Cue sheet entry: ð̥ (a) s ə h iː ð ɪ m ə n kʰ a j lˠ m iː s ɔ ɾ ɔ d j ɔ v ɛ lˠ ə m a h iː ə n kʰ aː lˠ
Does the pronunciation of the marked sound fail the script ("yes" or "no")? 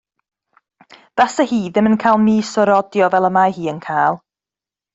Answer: no